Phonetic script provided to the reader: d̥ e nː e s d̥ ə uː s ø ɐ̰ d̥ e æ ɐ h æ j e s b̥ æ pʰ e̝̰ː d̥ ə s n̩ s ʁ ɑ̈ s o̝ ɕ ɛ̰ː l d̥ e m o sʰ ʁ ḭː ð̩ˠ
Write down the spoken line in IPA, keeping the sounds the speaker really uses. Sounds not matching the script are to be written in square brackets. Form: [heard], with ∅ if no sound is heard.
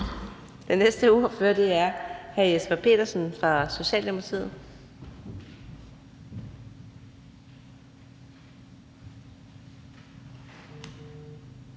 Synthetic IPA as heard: d̥ e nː e s d̥ ə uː [f] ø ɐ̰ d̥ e æ ɐ h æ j e s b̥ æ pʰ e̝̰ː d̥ [ɐ] s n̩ [f] ʁ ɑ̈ s o̝ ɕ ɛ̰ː l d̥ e m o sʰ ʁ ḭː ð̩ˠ

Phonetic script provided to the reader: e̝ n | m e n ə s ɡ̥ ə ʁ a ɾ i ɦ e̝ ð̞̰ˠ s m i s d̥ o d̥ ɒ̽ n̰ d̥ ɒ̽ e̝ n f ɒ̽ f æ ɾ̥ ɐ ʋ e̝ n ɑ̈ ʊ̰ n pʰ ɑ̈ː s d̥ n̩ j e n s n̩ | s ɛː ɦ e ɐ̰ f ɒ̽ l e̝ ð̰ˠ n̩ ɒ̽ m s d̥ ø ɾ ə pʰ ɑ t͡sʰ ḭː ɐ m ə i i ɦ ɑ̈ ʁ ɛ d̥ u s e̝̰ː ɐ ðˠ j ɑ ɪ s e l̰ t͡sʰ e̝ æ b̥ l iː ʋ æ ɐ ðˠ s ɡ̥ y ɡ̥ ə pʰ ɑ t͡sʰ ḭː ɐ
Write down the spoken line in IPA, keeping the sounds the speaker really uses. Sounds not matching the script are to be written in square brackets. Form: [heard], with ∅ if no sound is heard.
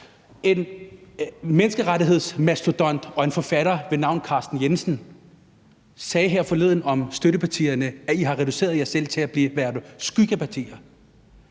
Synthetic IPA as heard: e̝ n | m e n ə s ɡ̥ ə ʁ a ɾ i ɦ e̝ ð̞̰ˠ s m [æ] s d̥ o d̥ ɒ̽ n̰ d̥ ɒ̽ e̝ n f ɒ̽ f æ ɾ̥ ɐ ʋ e̝ n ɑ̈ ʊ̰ n [kʰ] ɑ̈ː s d̥ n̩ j e n s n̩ | s ɛː ɦ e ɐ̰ f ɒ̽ l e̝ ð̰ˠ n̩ ɒ̽ m s d̥ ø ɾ ə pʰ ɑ t͡sʰ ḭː ɐ [n] ə [æ] i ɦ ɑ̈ ʁ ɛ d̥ u s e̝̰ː ɐ ðˠ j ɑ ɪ s e l̰ t͡sʰ e̝ æ b̥ l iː ʋ æ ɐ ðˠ s ɡ̥ y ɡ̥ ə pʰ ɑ t͡sʰ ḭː ɐ

